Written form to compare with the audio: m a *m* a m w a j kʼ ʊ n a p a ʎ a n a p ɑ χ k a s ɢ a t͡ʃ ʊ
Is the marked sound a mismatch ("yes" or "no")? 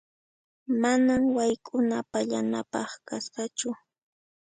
yes